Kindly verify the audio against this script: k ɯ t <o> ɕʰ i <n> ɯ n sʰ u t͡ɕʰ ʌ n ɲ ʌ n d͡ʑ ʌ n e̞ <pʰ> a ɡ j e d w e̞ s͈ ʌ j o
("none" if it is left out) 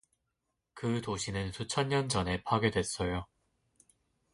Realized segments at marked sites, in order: o, n, pʰ

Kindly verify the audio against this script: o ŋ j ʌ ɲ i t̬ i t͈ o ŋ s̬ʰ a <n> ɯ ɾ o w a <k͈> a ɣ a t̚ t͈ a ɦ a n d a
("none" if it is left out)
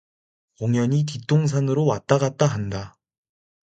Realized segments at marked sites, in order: n, t͈

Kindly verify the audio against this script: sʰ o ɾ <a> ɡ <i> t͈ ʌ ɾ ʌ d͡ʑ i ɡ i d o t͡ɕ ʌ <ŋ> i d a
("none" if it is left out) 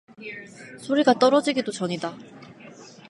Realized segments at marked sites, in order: i, a, ɲ

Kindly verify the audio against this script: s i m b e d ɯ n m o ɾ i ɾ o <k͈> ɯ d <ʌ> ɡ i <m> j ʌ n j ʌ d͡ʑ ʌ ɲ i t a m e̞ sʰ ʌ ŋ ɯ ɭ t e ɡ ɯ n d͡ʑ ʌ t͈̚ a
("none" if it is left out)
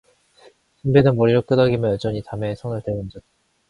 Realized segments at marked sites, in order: k͈, ʌ, m

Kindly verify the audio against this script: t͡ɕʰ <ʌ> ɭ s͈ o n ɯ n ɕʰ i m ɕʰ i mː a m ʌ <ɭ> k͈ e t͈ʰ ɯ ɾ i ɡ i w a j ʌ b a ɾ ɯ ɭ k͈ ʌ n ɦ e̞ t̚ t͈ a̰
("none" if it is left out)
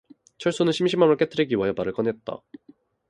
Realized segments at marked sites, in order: ʌ, ɭ

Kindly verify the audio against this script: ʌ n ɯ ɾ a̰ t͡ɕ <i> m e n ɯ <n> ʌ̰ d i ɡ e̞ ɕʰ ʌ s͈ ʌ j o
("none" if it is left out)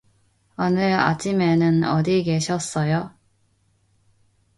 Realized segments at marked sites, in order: i, n

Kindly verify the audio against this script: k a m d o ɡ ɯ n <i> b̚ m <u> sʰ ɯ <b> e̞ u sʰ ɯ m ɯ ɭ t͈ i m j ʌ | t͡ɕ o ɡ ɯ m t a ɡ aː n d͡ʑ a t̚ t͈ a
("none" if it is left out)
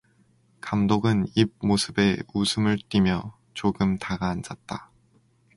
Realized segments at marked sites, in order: i, o, b

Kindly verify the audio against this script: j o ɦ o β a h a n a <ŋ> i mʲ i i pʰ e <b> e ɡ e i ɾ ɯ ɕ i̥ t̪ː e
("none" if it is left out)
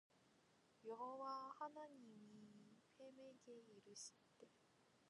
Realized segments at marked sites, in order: ɲ, m

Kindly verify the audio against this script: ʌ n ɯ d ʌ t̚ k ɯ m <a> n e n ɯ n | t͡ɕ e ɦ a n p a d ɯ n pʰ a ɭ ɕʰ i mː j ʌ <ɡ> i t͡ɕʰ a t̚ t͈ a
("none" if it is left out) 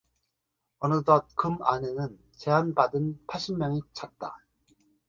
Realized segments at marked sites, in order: a, ŋ

